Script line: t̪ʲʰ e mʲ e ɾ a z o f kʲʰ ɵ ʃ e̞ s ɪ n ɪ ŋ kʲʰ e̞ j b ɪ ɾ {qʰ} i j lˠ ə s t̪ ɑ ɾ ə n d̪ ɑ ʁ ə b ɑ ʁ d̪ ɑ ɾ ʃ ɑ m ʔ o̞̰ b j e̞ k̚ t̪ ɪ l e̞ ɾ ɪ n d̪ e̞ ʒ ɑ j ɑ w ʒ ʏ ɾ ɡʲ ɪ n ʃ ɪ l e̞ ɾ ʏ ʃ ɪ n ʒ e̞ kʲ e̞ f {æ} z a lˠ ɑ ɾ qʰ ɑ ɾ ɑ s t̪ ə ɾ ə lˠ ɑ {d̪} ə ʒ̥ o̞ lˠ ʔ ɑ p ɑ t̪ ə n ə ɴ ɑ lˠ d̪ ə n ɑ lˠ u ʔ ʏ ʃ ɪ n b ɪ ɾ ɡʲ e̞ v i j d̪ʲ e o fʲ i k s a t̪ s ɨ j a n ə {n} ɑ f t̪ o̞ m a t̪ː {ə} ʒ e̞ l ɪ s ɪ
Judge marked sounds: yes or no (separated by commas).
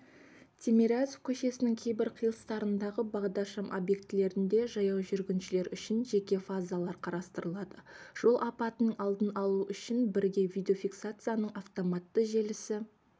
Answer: yes, no, yes, no, yes